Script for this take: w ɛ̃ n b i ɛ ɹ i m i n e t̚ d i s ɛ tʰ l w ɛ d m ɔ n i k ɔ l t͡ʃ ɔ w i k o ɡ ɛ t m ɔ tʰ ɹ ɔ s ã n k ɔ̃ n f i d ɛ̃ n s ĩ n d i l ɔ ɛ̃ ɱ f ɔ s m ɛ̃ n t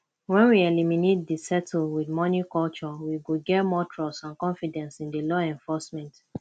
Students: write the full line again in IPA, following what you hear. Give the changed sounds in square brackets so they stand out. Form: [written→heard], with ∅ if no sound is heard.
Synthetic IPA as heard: w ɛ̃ n [b→w] i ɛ [ɹ→l] i m i n e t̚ d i s ɛ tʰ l w [ɛ→i] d m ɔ n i k ɔ l t͡ʃ ɔ w i [k→ɡ] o ɡ ɛ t m ɔ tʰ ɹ ɔ s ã n k ɔ̃ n f i d ɛ̃ n s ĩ n d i l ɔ ɛ̃ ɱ f ɔ s m ɛ̃ n t